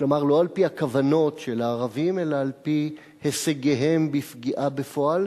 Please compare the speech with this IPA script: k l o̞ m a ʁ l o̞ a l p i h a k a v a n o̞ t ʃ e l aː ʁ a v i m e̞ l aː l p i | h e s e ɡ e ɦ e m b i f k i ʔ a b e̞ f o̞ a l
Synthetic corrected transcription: k l o̞ m a ʁ l o̞ a l p i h a k a v a n o̞ t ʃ e l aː ʁ a v i m e̞ l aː l p i | h e s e ɡ e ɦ e m b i f ɡ i ʔ a b e̞ f o̞ a l